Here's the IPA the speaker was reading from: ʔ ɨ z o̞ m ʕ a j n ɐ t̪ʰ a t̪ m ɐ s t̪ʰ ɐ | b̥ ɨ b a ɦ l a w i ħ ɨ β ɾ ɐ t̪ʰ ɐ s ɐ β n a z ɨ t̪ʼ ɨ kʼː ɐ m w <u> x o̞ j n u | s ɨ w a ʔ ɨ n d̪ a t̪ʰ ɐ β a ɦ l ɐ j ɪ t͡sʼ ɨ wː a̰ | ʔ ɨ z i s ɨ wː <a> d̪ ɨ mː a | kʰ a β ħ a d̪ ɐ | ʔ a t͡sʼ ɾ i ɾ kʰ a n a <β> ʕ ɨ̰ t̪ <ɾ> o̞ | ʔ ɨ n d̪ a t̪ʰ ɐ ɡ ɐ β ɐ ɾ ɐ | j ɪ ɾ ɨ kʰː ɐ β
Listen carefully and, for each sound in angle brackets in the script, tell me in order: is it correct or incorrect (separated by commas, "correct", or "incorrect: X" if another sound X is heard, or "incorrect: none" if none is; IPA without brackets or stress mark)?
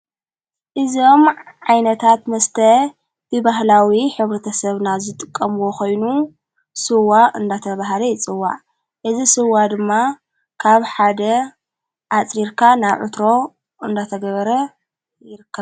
incorrect: o, correct, correct, correct